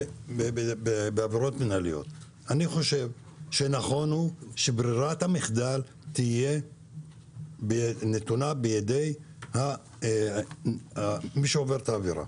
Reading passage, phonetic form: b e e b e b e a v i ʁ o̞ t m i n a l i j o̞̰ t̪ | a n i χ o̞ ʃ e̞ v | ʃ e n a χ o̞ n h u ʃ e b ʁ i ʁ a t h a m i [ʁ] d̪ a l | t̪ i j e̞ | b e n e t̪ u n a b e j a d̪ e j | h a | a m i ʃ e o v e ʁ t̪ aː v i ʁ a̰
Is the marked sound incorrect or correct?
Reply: incorrect